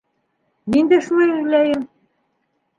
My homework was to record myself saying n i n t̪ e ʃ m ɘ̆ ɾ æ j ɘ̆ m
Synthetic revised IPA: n i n d̪ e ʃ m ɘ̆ l æ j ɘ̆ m